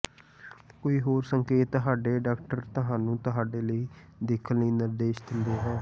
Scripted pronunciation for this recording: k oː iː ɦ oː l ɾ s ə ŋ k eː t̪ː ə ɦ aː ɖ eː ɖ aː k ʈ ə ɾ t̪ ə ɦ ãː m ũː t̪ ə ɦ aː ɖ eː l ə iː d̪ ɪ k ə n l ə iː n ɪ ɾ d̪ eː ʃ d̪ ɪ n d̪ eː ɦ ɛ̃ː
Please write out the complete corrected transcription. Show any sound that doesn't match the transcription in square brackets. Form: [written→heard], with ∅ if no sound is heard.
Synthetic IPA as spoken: k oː iː ɦ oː [l→∅] ɾ s ə ŋ k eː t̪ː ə ɦ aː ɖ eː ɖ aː k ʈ ə ɾ t̪ ə ɦ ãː [m→n] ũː t̪ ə ɦ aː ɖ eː l ə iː d̪ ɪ [k→kʰ] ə n l ə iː n ɪ ɾ d̪ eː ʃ d̪ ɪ n d̪ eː ɦ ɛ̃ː